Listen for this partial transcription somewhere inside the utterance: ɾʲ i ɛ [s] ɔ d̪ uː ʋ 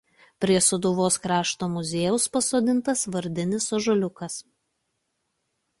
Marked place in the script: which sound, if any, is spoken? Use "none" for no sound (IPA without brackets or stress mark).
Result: s